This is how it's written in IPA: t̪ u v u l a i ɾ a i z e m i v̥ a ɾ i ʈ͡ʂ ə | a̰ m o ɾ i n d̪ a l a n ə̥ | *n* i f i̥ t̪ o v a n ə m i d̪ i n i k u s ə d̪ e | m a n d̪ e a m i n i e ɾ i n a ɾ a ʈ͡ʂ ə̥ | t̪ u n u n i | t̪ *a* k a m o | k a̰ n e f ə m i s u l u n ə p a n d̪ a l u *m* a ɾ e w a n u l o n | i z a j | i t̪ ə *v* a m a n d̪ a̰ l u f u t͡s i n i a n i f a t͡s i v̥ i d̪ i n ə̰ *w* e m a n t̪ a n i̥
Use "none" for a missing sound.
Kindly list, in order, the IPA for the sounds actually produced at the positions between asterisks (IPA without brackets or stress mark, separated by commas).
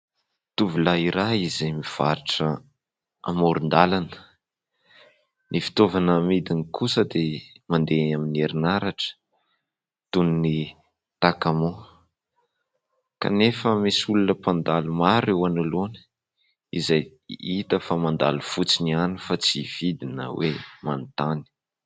n, a, m, f, w